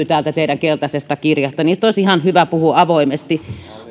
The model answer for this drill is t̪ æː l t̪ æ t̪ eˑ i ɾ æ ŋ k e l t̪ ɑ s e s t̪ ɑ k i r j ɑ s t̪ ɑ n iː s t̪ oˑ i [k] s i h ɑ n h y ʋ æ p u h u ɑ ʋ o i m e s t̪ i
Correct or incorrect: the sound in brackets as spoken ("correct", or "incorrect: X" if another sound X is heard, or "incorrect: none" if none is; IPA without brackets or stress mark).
incorrect: none